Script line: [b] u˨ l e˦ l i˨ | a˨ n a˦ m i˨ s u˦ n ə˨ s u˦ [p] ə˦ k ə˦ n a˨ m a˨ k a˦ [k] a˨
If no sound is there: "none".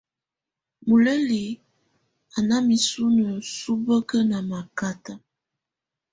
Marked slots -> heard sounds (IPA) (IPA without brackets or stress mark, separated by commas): m, b, t